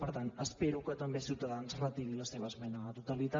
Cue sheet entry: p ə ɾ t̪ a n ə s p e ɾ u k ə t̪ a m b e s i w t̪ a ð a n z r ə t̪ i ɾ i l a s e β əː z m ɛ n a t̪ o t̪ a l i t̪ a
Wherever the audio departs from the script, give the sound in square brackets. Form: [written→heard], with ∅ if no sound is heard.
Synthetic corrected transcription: p ə ɾ t̪ a n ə s p e ɾ u k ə t̪ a m b e s i w t̪ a ð a n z r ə t̪ i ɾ i l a s e β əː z m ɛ n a t̪ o t̪ a l i t̪ a

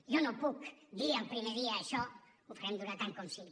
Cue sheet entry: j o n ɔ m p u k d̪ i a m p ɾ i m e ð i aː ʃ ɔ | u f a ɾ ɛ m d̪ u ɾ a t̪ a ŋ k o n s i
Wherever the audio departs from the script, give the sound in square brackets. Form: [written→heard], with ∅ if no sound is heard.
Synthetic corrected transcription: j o n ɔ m p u k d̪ i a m p ɾ i m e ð i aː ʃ ɔ | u f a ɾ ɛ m d̪ u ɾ a t̪ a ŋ k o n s i

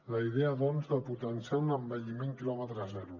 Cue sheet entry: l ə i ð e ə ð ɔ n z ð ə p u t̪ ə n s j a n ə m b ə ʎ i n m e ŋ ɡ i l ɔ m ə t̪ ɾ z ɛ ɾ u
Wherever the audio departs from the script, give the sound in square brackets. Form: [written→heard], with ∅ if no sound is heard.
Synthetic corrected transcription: l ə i ð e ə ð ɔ n z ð ə p u t̪ ə n s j a n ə m b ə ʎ i [n→∅] m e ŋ [ɡ→k] i l ɔ m ə t̪ ɾ z ɛ ɾ u

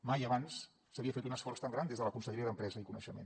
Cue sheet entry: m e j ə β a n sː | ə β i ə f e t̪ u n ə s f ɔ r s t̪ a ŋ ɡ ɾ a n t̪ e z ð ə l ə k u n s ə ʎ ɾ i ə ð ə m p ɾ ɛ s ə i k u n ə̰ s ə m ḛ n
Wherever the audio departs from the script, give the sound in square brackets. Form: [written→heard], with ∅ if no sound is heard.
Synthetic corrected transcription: m [e→a] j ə β a n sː | ə β i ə f e t̪ u n ə s f ɔ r s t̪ a ŋ ɡ ɾ a n [t̪→d̪] e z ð ə l ə k u n s ə ʎ ɾ i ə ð ə m p ɾ ɛ [s→z] ə i k u n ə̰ [s→ʃ] ə m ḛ n

